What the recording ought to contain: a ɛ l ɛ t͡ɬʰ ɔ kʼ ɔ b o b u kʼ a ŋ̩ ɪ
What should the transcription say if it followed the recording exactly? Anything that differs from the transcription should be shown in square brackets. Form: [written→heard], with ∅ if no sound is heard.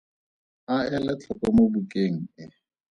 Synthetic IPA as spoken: a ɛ l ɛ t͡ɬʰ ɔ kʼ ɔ [b→m] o b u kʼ [a→e] ŋ̩ ɪ